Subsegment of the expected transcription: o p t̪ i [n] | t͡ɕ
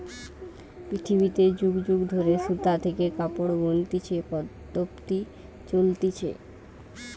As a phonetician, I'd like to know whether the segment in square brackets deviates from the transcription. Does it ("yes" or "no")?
yes